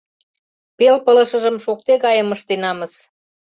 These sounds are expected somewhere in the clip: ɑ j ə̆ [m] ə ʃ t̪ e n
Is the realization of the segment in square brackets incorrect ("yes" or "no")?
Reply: no